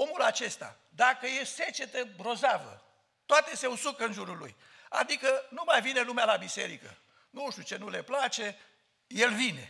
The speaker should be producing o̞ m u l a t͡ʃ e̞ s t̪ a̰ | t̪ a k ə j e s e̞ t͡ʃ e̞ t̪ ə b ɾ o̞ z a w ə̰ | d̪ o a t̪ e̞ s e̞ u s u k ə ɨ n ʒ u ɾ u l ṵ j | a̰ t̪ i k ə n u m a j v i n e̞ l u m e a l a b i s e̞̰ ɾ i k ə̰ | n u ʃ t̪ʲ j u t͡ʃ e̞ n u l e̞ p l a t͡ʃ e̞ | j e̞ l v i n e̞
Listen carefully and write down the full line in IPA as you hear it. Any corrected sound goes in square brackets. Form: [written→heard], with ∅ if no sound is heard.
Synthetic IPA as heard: o̞ m u l a t͡ʃ e̞ s t̪ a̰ | [t̪→d̪] a k ə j e s e̞ t͡ʃ e̞ t̪ ə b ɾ o̞ z a [w→v] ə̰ | [d̪→t̪] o a t̪ e̞ s e̞ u s u k ə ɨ n ʒ u ɾ u l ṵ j | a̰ [t̪→d̪] i k ə n u m a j v i n e̞ l u m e a l a b i s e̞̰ ɾ i k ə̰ | n u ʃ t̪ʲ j u t͡ʃ e̞ n u l e̞ p l a t͡ʃ e̞ | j e̞ l v i n e̞